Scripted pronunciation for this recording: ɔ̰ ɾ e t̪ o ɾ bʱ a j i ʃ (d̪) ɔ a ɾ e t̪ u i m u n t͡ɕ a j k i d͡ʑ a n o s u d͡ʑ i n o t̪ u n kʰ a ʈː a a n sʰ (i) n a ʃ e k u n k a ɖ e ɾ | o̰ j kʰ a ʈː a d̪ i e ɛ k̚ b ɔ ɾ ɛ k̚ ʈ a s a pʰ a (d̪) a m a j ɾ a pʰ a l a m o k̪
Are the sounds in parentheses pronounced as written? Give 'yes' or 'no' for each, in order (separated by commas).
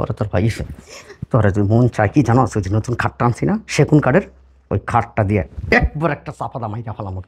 no, yes, yes